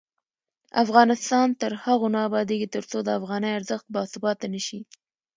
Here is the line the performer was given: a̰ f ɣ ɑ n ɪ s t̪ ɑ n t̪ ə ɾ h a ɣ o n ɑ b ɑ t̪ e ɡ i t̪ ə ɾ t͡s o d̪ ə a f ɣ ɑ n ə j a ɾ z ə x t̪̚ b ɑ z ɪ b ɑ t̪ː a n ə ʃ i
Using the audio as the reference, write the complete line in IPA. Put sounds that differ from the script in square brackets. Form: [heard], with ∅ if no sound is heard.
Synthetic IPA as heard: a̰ f ɣ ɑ n ɪ s t̪ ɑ n t̪ ə ɾ h a ɣ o n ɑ b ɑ [d̪] e ɡ i t̪ ə ɾ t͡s o d̪ ə a f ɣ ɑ n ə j a ɾ z ə x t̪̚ b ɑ [s] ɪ b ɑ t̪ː a n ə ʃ i